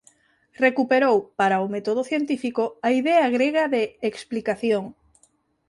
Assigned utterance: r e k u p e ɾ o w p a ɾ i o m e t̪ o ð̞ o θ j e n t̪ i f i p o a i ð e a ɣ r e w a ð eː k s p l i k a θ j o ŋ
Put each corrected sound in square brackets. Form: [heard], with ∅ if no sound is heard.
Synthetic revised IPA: r e k u p e ɾ o w p a ɾ [a] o m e t̪ o ð̞ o θ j e n t̪ i f i [k] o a i ð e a ɣ [ɾ] e [ɣ] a ð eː k s p l i k a θ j o ŋ